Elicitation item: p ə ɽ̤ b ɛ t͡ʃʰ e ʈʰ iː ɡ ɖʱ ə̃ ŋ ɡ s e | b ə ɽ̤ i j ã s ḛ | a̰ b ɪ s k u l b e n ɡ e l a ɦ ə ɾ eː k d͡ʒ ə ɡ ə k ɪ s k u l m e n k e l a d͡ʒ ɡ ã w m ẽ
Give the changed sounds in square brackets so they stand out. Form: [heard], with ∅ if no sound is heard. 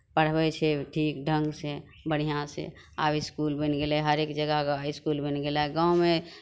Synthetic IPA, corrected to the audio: p ə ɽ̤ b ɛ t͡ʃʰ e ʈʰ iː [k] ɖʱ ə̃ ŋ ɡ s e | b ə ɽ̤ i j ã s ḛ | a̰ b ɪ s k u l b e n ɡ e l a ɦ ə ɾ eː k d͡ʒ ə ɡ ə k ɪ s k u l [b] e n [ɡ] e l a [∅] ɡ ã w m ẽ